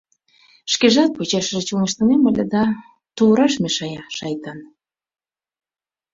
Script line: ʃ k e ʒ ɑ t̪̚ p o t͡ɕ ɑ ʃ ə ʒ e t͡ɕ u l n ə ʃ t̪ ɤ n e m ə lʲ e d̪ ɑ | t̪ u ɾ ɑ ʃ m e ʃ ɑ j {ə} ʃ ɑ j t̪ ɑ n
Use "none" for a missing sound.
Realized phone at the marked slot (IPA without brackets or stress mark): ɑ